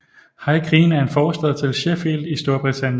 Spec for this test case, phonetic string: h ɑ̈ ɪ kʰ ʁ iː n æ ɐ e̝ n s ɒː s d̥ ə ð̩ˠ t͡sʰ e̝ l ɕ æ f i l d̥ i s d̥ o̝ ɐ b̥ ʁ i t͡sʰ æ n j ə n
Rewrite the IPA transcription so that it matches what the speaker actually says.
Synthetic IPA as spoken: h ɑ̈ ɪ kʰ ʁ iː n æ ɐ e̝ n f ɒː s d̥ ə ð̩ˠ t͡sʰ e̝ l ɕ e f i l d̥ i s d̥ o̝ ɐ b̥ ʁ i t͡sʰ æ n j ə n